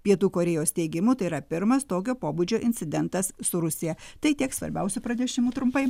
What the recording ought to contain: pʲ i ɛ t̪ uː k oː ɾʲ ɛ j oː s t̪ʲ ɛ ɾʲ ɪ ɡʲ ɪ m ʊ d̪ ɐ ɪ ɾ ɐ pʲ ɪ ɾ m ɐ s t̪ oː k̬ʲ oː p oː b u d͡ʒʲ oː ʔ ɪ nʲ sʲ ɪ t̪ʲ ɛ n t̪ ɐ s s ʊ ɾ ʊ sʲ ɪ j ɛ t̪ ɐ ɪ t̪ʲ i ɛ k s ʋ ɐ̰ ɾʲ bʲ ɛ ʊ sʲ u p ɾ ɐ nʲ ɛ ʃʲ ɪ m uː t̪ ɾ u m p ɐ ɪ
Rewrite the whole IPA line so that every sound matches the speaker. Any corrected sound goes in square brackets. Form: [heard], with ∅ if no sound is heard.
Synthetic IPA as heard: pʲ i ɛ t̪ uː k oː ɾʲ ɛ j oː s t̪ʲ ɛ [∅] ɪ ɡʲ ɪ m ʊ [t̪] ɐ ɪ ɾ ɐ pʲ ɪ ɾ m ɐ s t̪ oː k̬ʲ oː p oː b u d͡ʒʲ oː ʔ ɪ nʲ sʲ ɪ [d̪ʲ] ɛ n t̪ ɐ s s ʊ ɾ ʊ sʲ ɪ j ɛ t̪ ɐ ɪ t̪ʲ i ɛ k s ʋ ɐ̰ ɾʲ bʲ ɛ ʊ sʲ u p ɾ ɐ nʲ ɛ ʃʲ ɪ m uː t̪ ɾ [ʊ] m p ɐ ɪ